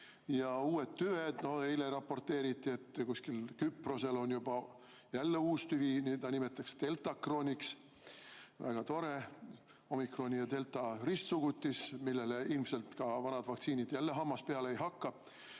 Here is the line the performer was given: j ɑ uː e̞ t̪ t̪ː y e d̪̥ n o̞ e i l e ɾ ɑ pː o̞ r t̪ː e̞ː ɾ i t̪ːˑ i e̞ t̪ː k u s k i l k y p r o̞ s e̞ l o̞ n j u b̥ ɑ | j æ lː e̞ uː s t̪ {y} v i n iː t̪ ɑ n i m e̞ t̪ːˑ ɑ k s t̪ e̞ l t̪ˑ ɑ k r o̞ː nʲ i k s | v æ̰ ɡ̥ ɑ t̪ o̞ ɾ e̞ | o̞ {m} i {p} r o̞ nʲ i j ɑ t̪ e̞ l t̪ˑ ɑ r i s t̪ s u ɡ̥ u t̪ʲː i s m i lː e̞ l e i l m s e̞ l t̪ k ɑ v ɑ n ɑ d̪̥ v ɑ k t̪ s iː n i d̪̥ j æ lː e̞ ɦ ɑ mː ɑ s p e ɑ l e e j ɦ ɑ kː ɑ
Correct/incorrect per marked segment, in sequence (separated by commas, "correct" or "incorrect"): correct, correct, incorrect